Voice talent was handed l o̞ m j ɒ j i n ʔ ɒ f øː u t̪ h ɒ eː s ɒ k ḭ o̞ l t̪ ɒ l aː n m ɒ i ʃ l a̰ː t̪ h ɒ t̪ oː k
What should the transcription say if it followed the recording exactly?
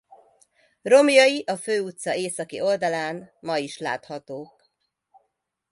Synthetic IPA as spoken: r o̞ m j ɒ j i ʔ ɒ f øː u t̪ s ɒ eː s ɒ k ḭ o̞ l d̪ ɒ l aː n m ɒ i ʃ l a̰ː t̪ h ɒ t̪ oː k